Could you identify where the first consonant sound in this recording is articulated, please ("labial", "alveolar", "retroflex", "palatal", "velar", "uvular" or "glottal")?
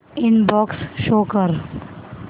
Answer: alveolar